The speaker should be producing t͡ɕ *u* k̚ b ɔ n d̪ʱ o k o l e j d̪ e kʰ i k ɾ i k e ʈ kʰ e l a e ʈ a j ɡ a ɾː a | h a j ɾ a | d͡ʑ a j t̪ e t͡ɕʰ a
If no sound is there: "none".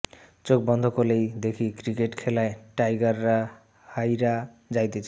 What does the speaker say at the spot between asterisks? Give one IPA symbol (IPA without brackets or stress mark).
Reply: o